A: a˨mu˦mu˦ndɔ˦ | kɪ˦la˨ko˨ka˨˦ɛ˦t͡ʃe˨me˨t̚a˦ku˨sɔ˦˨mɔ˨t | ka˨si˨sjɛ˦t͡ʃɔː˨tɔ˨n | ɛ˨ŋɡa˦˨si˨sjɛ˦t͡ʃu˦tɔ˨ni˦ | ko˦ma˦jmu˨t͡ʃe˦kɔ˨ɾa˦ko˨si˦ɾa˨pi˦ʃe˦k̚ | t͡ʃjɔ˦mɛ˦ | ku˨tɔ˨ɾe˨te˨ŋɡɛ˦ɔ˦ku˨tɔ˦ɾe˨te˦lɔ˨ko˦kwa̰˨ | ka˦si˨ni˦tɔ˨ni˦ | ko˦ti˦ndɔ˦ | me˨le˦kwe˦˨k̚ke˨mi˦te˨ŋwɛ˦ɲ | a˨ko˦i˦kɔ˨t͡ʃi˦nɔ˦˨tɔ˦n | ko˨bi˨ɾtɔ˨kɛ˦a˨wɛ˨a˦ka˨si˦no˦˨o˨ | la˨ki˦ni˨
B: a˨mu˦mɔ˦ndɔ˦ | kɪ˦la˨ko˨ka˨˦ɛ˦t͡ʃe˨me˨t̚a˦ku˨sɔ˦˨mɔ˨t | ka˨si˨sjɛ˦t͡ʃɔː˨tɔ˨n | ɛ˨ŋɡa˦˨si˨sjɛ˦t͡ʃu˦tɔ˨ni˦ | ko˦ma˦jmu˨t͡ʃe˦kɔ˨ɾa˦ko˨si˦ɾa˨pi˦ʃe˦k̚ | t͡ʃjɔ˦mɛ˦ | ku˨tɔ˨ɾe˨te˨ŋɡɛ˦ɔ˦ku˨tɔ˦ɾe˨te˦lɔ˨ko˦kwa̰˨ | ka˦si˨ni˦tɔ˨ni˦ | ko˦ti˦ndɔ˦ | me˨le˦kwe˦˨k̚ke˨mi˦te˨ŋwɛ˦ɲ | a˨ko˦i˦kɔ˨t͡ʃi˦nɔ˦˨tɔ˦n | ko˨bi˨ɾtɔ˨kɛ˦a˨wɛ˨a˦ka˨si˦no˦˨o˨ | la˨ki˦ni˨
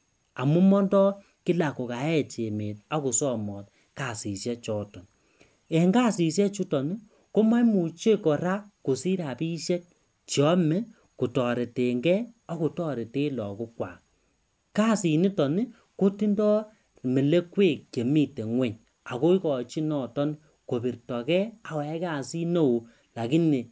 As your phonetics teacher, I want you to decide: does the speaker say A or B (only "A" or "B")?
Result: B